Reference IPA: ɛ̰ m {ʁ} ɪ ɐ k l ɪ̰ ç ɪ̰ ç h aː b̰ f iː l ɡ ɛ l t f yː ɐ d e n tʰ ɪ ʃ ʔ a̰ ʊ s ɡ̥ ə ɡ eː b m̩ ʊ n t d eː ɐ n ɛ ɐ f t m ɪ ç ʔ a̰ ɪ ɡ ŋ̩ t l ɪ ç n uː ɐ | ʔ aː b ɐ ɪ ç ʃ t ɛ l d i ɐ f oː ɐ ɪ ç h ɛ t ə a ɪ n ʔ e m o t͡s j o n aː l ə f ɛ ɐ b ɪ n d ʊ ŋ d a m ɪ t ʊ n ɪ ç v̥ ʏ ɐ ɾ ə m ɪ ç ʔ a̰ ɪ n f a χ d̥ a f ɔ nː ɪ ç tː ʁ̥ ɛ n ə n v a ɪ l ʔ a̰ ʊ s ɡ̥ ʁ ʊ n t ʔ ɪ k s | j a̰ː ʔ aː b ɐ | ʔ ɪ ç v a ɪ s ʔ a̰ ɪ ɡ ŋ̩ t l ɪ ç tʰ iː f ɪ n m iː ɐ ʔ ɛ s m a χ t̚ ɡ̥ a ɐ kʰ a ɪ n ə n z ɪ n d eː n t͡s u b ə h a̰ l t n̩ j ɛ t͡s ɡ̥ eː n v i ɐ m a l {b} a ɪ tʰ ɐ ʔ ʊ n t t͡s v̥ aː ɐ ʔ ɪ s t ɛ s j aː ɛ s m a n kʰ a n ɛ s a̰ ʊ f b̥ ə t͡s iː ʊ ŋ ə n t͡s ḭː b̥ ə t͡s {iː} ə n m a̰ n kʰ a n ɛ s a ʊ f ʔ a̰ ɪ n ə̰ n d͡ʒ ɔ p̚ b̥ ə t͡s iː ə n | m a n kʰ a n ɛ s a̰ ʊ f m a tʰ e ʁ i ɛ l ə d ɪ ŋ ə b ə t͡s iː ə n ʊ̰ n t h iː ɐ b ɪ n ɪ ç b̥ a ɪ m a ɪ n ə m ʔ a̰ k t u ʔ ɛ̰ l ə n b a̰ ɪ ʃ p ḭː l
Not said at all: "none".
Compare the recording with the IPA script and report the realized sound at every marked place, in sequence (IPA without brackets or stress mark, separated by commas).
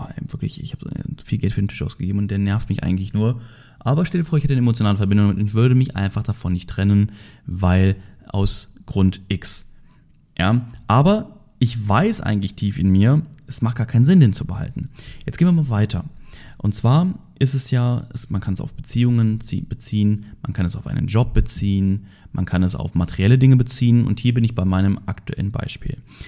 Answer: v, v, iː